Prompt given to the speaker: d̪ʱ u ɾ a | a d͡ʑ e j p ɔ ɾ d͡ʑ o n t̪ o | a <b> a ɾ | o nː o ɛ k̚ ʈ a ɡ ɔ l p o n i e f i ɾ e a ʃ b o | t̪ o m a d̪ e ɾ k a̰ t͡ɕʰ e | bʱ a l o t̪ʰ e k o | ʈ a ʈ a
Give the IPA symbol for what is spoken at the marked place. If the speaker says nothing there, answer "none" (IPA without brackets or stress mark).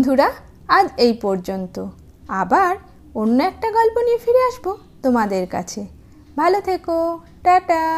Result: b